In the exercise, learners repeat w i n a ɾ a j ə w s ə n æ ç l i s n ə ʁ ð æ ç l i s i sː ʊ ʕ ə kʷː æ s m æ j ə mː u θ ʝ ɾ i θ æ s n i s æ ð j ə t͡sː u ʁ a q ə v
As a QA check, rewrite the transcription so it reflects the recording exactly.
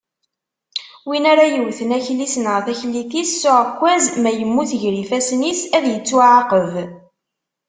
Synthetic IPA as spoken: w i n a ɾ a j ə w θ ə n æ ç l i s n ə ʁ θ æ ç l i θ i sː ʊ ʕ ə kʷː æ z m æ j ə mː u θ ʝ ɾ i f æ s n i s æ ð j ə t͡sː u ʕ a q ə v